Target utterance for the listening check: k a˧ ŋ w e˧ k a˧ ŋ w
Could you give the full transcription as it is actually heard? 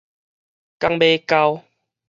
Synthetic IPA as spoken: k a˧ ŋ b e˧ k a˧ w